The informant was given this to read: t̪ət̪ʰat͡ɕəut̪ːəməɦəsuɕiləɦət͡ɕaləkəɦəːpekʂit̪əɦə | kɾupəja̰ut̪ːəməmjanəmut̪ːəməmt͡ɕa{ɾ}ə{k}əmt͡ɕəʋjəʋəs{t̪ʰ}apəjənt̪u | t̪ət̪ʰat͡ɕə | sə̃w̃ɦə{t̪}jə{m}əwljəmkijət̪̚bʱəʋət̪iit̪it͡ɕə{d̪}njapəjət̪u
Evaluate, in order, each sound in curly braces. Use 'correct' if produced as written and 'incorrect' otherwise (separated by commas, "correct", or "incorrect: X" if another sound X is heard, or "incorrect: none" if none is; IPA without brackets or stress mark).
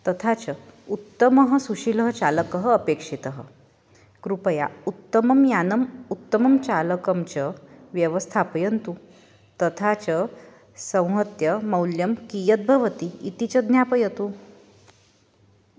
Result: incorrect: l, correct, correct, correct, correct, correct